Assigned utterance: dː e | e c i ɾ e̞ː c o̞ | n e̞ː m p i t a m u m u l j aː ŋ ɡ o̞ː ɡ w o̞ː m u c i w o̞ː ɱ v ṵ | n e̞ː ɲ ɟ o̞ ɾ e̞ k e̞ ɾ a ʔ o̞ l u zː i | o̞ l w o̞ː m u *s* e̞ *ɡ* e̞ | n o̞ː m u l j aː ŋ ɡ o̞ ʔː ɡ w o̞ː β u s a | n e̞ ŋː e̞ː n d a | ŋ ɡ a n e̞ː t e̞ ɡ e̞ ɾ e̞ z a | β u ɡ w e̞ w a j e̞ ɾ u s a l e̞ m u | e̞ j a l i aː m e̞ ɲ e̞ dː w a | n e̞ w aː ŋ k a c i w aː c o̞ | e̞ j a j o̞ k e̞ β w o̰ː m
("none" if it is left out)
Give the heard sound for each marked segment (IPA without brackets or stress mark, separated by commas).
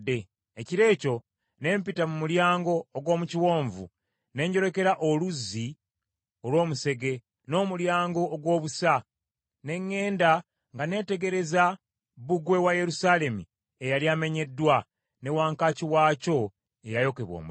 s, ɡ